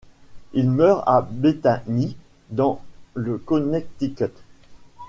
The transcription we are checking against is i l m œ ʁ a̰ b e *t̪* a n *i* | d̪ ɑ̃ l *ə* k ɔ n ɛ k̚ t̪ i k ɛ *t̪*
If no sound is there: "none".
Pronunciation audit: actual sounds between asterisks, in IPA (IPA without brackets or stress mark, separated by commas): t̪, i, ə, t̪